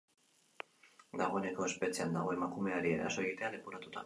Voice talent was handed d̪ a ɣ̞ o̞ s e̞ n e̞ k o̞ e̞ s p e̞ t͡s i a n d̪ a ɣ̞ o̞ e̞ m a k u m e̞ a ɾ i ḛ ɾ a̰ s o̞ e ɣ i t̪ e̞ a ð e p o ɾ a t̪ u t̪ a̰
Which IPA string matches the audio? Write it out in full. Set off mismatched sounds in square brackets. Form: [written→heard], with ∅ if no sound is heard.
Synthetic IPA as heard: d̪ a ɣ̞ o̞ [s→∅] e̞ n e̞ k o̞ e̞ s p e̞ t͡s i a n d̪ a ɣ̞ o̞ e̞ m a k u m e̞ a ɾ i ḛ ɾ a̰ s o̞ e ɣ i t̪ e̞ a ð e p o ɾ a t̪ u t̪ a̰